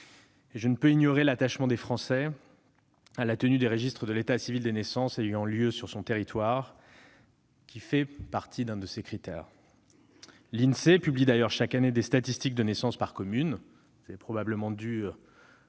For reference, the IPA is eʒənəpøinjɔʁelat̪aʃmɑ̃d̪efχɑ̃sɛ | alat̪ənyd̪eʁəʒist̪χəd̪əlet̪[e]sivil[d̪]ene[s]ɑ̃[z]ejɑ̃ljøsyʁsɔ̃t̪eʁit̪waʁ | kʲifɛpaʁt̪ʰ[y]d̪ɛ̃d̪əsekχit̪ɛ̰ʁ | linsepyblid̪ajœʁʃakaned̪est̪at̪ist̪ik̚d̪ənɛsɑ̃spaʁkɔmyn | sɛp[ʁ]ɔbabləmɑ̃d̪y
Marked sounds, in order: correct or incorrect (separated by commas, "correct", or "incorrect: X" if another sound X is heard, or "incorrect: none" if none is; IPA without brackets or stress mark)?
incorrect: a, correct, correct, incorrect: s, incorrect: i, incorrect: χ